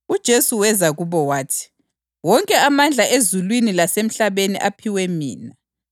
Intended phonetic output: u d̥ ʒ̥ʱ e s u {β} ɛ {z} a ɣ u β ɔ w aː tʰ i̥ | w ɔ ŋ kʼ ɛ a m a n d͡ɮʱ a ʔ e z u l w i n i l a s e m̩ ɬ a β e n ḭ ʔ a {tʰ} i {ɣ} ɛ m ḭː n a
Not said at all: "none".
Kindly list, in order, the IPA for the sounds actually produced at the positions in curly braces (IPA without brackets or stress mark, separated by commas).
w, z, pʰ, w